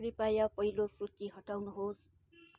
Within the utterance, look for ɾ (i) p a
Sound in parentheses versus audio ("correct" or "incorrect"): correct